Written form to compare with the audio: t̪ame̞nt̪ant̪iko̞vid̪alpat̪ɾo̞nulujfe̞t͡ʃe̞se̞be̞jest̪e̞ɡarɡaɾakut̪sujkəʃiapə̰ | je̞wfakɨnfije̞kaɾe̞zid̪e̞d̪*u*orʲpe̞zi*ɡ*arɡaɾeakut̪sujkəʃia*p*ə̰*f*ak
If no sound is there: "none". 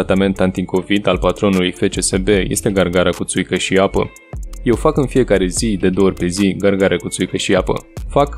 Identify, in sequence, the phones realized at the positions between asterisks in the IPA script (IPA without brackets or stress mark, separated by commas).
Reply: o, ɡ, p, f